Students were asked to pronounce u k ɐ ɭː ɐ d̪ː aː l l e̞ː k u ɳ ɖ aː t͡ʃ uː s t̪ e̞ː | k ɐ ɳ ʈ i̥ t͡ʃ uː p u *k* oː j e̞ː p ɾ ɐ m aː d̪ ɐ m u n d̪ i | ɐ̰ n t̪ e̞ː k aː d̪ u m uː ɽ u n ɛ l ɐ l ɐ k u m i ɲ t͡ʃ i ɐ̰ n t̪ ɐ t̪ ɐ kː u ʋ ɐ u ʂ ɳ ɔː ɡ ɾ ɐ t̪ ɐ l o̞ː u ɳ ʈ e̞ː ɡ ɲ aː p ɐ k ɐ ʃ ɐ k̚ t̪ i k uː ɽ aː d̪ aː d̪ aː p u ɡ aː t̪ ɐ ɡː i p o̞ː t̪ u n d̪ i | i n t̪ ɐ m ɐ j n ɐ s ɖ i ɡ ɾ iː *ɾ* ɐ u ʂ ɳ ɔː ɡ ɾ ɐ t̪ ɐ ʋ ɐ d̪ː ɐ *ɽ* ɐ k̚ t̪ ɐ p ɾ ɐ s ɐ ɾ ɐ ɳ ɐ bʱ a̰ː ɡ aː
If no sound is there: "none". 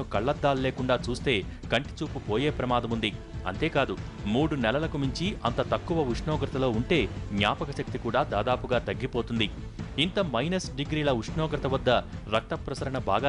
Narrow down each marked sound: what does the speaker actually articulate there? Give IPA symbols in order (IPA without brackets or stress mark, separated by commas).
p, l, ɾ